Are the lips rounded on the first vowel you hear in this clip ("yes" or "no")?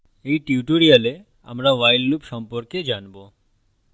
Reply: no